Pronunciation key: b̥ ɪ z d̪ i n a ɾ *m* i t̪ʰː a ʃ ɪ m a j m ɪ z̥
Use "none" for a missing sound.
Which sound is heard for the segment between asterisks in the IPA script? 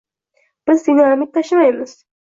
m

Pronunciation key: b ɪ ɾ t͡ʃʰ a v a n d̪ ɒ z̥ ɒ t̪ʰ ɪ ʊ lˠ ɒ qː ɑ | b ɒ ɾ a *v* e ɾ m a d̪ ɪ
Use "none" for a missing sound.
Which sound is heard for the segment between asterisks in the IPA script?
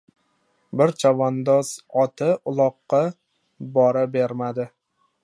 b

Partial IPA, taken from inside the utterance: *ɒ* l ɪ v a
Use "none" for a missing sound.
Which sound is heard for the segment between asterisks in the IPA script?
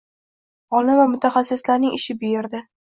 ɒ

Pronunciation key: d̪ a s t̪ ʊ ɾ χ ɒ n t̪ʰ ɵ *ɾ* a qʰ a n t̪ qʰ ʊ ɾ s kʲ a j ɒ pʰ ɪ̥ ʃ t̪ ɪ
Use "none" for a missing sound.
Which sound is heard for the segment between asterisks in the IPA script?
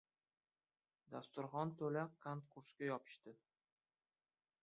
l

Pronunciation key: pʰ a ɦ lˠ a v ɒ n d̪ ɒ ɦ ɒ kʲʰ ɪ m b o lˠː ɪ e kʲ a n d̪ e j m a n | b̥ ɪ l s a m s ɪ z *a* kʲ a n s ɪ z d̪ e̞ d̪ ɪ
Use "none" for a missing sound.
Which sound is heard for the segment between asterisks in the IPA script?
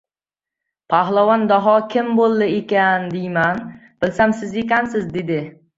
e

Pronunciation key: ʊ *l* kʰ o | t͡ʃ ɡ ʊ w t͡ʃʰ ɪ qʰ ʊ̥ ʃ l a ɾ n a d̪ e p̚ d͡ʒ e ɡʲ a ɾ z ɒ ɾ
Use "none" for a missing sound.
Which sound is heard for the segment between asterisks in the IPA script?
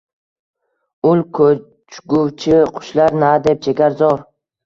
l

